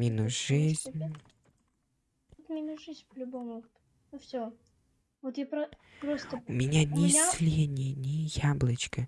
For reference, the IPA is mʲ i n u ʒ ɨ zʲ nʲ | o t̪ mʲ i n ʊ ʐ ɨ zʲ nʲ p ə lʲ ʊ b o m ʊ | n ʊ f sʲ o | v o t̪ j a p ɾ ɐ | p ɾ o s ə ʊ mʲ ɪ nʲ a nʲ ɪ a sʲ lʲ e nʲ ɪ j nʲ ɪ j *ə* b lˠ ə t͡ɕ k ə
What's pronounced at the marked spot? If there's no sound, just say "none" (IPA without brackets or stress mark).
a